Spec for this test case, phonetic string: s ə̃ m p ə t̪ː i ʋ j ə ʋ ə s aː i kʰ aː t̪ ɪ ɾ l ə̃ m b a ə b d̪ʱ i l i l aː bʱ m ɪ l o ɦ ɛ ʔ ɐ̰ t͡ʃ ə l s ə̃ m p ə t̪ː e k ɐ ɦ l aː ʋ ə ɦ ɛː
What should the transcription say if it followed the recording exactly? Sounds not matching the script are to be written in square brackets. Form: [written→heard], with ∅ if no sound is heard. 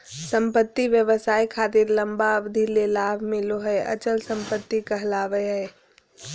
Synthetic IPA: s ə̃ m p ə t̪ː i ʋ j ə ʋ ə s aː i kʰ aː t̪ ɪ ɾ l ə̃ m b a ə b d̪ʱ i l [i→e] l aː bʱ m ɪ l o ɦ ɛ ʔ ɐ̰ t͡ʃ ə l s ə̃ m p ə t̪ː [e→i] k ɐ ɦ l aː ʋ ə ɦ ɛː

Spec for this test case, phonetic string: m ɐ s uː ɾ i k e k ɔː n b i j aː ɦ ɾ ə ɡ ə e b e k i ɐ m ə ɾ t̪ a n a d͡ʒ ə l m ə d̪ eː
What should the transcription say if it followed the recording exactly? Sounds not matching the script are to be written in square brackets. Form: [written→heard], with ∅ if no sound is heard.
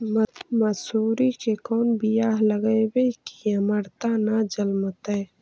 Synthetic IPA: m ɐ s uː ɾ i k e k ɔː n b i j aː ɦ [ɾ→l] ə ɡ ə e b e k i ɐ m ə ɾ t̪ a n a d͡ʒ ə l m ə [d̪→t̪] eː

